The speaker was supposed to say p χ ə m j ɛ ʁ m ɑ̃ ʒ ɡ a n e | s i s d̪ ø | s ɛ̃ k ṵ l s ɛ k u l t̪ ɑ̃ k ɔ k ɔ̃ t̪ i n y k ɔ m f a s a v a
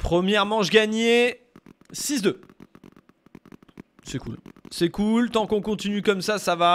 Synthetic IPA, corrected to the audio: p χ ə m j ɛ ʁ m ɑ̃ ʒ ɡ a ɲ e | s i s d̪ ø | s ɛ k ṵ l s ɛ k u l t̪ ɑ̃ k ɔ̃ k ɔ̃ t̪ i n y k ɔ m s a s a v a